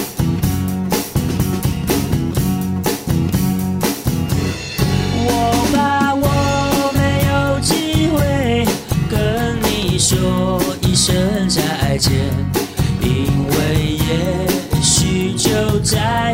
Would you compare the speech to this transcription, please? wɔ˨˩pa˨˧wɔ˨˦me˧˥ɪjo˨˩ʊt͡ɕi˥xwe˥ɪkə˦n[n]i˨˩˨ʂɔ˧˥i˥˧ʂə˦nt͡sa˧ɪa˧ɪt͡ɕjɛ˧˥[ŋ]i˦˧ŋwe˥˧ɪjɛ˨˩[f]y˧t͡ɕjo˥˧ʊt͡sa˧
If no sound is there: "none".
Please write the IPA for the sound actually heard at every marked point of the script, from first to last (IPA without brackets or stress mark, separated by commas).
n, n, ɕ